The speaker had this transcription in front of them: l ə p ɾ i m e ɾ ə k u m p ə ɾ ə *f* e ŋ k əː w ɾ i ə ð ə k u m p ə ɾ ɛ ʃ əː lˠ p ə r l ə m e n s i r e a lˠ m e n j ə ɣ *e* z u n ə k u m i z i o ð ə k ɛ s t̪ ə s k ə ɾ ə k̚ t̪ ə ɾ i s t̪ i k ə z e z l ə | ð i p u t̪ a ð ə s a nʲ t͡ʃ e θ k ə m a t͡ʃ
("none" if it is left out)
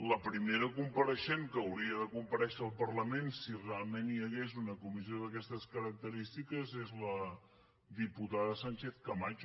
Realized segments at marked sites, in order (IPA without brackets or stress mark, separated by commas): ʃ, e